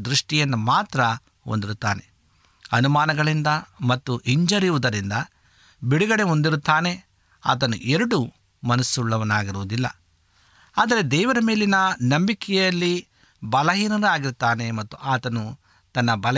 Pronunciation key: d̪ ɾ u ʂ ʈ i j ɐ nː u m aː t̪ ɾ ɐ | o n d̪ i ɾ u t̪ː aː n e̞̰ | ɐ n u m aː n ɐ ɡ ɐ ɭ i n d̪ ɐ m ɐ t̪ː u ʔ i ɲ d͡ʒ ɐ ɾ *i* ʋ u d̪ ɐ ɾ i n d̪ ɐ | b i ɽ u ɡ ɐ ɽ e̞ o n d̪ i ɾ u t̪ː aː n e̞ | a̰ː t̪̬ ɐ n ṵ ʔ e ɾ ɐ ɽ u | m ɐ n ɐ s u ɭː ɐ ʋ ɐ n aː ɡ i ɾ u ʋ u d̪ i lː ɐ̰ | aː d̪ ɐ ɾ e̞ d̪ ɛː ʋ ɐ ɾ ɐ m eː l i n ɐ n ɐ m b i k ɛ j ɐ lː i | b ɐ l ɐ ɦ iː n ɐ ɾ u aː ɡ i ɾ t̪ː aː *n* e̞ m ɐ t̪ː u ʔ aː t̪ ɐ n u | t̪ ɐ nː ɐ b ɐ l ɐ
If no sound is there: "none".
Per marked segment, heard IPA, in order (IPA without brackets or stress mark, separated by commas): i, n